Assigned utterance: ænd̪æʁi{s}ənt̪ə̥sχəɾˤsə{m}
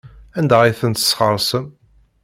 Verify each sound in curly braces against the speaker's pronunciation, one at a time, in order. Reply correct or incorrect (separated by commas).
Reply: incorrect, correct